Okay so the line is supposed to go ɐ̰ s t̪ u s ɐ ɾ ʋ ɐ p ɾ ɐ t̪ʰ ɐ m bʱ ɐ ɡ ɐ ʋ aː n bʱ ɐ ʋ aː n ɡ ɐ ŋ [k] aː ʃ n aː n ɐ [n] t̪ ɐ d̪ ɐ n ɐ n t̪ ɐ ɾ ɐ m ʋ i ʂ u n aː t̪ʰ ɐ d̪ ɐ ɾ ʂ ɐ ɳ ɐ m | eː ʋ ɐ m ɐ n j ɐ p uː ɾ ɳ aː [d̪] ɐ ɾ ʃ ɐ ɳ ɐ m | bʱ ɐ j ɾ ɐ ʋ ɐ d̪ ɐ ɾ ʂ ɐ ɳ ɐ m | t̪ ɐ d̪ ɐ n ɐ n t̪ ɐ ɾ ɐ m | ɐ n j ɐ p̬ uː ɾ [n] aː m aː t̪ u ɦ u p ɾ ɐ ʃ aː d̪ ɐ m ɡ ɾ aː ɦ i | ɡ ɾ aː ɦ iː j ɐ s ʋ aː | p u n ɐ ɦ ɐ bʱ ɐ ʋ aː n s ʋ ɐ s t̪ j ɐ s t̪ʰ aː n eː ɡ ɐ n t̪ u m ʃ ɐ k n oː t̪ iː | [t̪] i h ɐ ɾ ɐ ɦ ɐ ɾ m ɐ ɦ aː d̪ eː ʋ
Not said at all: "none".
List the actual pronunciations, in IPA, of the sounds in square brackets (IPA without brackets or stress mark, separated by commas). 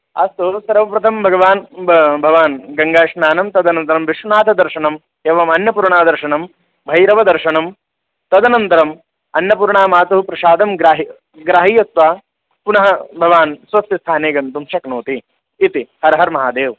ɡ, m, d̪, ɳ, t̪